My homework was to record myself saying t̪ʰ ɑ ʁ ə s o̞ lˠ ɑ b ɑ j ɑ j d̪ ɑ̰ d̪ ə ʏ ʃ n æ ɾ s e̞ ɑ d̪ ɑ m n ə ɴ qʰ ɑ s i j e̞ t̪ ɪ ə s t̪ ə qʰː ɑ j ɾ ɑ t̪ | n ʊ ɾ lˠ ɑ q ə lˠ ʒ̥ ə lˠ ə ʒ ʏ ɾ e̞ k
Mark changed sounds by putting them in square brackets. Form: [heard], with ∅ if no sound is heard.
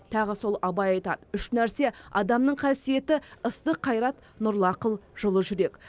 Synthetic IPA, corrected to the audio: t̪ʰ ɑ ʁ ə s o̞ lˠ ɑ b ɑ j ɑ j [t̪] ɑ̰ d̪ ə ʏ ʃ n æ ɾ s e̞ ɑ d̪ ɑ m n ə ɴ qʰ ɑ s i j e̞ t̪ ɪ ə s t̪ ə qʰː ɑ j ɾ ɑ t̪ | n ʊ ɾ lˠ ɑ q ə lˠ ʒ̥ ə lˠ ə ʒ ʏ ɾ e̞ k